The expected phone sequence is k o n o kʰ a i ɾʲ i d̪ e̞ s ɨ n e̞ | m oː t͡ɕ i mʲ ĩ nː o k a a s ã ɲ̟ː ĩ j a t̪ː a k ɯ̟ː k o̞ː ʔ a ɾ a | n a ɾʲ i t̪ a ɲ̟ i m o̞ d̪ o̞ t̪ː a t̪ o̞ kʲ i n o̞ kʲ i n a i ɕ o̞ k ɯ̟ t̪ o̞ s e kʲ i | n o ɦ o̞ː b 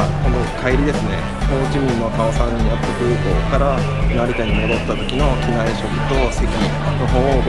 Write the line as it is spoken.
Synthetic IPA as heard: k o n o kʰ a i ɾʲ i d̪ e̞ s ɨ n e̞ | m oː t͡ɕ i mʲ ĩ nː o k a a s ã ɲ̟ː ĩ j a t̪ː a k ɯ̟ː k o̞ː k a ɾ a | n a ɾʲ i t̪ a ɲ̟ i m o̞ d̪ o̞ t̪ː a t̪ o̞ kʲ i n o̞ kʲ i n a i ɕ o̞ k ɯ̟ t̪ o̞ s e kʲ i | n o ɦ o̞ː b